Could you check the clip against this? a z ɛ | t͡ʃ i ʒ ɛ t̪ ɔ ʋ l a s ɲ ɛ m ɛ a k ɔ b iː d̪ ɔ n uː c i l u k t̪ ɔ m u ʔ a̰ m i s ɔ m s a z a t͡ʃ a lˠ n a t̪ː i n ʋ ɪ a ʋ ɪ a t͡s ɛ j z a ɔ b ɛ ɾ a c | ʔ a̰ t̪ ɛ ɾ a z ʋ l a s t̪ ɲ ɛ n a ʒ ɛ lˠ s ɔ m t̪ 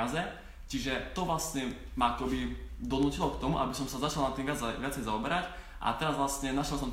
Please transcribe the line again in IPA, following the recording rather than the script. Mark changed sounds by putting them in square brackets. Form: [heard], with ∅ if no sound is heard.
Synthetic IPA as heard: a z ɛ | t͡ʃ i ʒ ɛ t̪ ɔ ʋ l a s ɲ ɛ m [a] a k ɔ b [i] d̪ ɔ n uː c i l [ɔ] k t̪ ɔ m u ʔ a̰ [b] i s ɔ m s a z a t͡ʃ a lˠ n a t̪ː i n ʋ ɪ a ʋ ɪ a t͡s ɛ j z a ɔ b ɛ ɾ a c | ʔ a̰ t̪ ɛ ɾ a z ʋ l a s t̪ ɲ ɛ n a [ʃ] ɛ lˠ s ɔ m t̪